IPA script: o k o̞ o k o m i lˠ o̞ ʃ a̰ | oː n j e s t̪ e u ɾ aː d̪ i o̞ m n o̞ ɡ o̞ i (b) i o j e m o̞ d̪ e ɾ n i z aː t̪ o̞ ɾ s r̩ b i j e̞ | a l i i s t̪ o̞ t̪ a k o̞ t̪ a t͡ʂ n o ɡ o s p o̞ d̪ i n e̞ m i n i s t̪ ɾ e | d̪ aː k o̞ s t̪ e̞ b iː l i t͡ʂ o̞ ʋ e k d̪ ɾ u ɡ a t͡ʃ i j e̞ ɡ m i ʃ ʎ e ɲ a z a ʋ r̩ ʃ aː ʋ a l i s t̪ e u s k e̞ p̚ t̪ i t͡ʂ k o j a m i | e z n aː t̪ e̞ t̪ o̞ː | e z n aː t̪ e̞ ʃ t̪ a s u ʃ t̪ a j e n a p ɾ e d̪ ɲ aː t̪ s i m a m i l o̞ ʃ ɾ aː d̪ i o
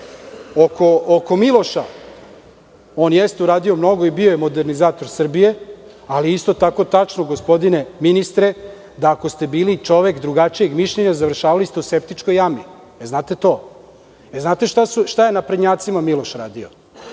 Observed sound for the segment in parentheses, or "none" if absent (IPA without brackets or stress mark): b